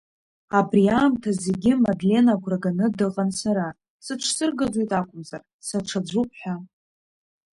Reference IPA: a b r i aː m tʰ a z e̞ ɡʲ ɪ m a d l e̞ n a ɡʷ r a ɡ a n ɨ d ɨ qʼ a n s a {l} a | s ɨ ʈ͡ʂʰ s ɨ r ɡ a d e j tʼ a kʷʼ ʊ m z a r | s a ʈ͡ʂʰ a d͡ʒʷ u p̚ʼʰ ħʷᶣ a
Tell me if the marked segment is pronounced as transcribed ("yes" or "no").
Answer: no